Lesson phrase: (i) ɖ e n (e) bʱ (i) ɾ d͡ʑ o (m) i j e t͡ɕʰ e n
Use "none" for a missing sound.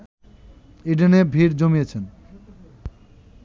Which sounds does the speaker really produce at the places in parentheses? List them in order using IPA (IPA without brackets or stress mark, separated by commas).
i, e, i, m